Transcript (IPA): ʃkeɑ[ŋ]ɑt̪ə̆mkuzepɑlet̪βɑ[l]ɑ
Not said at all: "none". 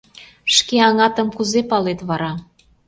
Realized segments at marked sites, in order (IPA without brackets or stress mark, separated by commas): ŋ, ɾ